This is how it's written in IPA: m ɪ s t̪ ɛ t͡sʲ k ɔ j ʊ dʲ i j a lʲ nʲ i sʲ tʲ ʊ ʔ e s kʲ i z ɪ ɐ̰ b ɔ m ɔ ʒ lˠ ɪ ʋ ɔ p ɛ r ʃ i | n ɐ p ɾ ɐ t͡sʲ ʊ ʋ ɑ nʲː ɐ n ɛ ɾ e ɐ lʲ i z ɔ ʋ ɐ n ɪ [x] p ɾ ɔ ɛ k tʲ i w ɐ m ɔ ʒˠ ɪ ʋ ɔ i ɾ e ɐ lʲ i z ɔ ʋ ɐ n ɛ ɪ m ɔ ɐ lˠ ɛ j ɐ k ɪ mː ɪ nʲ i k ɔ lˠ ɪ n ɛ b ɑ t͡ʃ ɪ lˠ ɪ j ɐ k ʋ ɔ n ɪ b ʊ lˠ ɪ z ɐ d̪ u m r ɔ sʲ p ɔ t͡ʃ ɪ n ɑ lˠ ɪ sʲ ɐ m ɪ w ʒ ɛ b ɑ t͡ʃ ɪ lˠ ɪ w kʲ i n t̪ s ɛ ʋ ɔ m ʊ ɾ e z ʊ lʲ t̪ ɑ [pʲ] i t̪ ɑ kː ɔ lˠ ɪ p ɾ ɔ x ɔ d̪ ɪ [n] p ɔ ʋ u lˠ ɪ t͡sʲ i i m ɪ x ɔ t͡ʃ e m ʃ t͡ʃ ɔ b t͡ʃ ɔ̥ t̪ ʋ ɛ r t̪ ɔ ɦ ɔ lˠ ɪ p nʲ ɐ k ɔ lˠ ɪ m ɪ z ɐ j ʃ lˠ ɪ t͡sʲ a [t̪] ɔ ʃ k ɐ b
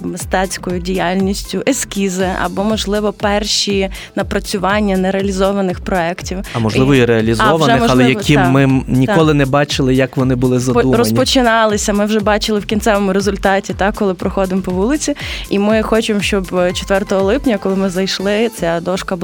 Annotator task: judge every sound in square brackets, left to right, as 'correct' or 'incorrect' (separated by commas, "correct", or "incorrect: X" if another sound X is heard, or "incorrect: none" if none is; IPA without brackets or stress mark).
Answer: correct, incorrect: tʲ, incorrect: m, incorrect: d̪